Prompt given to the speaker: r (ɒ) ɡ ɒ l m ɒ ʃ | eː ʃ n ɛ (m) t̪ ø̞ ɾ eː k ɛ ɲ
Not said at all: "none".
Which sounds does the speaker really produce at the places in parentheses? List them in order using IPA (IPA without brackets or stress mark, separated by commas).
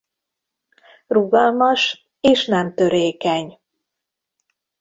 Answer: u, m